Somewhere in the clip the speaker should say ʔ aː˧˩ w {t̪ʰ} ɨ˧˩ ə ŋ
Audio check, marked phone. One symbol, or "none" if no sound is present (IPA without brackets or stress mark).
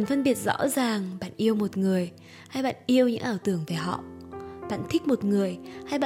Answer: t̪